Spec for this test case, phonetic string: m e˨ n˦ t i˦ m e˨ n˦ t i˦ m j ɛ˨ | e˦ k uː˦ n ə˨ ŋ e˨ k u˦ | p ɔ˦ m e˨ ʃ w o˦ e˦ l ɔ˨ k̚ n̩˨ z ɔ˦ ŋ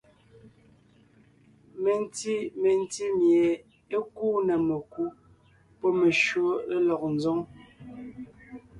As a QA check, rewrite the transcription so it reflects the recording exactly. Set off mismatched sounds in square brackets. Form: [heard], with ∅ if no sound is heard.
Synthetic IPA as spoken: m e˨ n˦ t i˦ m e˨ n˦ t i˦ m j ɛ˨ | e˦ k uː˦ n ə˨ [m] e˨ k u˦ | p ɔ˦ m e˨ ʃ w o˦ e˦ l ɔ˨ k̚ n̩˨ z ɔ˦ ŋ